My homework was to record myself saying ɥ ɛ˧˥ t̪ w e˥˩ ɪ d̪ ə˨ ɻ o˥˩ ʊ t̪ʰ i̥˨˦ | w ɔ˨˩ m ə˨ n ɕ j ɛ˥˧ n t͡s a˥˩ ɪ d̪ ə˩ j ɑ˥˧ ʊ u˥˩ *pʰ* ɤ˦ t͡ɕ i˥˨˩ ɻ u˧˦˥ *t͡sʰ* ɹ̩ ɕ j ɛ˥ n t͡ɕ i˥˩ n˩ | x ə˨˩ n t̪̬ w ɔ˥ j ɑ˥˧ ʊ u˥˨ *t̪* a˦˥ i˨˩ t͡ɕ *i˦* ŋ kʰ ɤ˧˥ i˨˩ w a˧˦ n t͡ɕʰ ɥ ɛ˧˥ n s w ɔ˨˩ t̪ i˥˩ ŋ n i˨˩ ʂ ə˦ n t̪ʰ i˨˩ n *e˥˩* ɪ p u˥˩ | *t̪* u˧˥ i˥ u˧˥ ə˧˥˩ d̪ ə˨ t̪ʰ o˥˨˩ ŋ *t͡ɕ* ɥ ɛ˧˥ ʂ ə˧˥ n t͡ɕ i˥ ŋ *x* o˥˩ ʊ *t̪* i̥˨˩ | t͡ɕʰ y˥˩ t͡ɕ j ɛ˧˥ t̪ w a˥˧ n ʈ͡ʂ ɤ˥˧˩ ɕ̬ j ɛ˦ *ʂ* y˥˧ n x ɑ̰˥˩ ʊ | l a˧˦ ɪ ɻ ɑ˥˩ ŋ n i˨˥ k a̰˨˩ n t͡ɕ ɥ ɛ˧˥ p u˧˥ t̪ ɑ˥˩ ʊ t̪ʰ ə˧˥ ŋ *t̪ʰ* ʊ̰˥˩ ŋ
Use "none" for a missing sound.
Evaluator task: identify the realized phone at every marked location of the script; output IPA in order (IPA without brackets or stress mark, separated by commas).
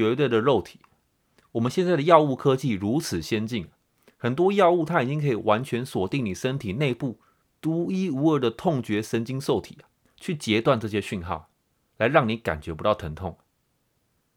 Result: kʰ, t͡sʰ, t̪ʰ, i˦, e˥˧, t̪, t͡ɕ, s, t̪ʰ, ɕ, t̪ʰ